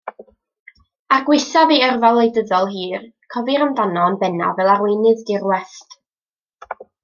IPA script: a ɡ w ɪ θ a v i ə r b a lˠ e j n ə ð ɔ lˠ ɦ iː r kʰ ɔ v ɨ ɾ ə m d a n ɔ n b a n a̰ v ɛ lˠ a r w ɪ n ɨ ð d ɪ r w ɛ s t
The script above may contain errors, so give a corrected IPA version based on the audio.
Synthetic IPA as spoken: a ɡ w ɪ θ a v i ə r v a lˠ e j d ə ð ɔ lˠ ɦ iː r kʰ ɔ v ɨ ɾ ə m d a n ɔ n b ɛ n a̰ v ɛ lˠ a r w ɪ n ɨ ð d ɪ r w ɛ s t